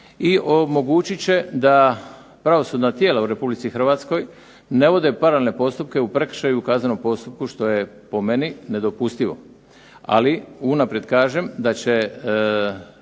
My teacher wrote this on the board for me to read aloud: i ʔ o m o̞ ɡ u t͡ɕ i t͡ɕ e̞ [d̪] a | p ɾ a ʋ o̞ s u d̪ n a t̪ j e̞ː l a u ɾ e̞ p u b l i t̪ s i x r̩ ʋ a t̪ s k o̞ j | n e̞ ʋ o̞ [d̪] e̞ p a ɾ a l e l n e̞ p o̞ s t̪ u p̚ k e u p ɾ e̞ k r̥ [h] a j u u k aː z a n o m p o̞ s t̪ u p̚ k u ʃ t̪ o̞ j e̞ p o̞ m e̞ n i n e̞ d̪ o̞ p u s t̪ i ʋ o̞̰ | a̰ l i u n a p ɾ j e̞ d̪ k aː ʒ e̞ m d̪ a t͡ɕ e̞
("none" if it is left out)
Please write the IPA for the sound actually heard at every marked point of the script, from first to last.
d̪, d̪, ʃ

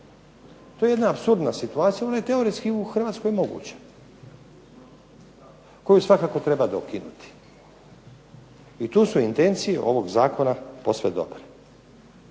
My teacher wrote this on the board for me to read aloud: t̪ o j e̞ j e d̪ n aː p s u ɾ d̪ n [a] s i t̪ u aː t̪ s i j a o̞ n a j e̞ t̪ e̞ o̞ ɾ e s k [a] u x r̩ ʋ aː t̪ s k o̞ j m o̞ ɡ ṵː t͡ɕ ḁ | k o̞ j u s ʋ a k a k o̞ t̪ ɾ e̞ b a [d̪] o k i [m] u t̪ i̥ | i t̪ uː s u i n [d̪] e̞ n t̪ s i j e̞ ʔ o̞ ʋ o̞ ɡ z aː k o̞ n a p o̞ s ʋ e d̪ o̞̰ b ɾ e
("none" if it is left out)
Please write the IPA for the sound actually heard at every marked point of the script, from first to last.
a, i, d̪, n, t̪

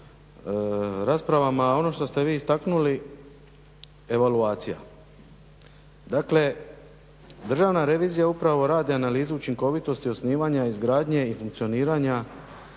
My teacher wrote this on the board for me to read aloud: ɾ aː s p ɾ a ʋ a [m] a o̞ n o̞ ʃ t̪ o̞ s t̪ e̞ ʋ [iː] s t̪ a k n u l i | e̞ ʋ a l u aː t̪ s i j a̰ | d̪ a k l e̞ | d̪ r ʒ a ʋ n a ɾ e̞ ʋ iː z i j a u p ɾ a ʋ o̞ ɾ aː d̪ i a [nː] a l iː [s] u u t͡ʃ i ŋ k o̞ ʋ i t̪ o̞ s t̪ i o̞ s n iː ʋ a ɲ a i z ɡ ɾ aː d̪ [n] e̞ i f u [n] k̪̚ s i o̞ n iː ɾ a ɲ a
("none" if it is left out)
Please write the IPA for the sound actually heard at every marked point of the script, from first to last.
m, iː, n, z, ɲ, ŋ

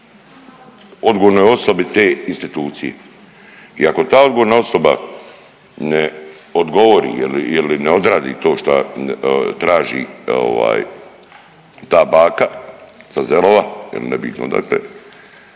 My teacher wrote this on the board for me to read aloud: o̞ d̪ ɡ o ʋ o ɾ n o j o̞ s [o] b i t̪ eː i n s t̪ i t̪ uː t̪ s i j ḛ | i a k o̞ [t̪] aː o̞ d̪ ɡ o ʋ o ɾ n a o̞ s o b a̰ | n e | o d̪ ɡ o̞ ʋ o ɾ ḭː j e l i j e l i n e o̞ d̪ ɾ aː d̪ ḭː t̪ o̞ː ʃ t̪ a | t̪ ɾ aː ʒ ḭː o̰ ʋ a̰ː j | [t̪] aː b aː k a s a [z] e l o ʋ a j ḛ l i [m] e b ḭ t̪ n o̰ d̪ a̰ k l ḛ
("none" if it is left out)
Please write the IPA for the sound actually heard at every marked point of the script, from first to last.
o, t̪, t̪, z, n

